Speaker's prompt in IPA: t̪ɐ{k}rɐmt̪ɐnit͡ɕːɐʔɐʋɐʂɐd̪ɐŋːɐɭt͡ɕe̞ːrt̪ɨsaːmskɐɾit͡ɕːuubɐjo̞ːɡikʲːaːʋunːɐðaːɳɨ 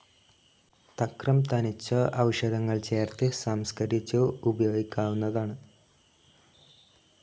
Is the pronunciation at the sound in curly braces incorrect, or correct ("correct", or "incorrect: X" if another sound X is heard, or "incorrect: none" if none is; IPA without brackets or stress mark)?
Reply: correct